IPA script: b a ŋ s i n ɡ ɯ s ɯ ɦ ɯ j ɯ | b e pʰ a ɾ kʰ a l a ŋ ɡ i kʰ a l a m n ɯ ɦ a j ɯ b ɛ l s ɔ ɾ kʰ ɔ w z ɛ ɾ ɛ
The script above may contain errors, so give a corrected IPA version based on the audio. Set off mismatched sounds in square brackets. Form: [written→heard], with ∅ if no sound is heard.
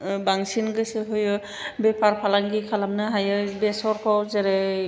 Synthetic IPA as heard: b a ŋ s i n ɡ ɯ s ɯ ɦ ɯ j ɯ | b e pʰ a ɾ [kʰ→pʰ] a l a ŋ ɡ i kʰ a l a m n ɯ ɦ a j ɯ b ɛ [l→∅] s ɔ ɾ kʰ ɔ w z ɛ ɾ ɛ